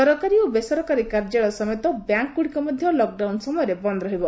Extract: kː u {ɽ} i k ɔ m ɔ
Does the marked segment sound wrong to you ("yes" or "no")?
no